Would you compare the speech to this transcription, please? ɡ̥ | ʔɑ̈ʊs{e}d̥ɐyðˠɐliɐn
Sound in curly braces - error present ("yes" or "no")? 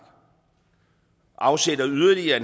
no